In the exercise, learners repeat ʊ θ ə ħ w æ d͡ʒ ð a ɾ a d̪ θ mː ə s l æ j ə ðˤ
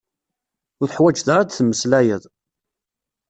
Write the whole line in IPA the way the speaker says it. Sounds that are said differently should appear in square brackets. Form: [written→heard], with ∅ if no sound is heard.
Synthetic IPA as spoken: ʊ θ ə ħ w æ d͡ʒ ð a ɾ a d̪ θ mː ə s l æ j ə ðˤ